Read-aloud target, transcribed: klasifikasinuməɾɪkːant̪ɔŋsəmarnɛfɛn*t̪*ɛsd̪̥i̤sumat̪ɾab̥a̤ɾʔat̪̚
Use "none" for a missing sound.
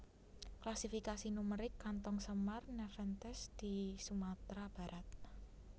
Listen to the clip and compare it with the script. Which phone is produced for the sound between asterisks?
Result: t̪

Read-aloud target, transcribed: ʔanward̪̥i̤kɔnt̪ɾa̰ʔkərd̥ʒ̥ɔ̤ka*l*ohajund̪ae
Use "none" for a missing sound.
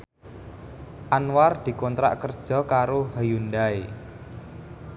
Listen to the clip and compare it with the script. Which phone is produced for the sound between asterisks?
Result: ɾ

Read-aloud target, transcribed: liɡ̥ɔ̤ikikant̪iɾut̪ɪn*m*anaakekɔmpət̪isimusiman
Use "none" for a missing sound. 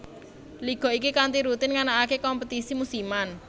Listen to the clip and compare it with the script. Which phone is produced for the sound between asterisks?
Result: ŋ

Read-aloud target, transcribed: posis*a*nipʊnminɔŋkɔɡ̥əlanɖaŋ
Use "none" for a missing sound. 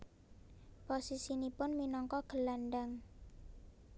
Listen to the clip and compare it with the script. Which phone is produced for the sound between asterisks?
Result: i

